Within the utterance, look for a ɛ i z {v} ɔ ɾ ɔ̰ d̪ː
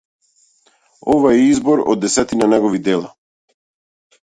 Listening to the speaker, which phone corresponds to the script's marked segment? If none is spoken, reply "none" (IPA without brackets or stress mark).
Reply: b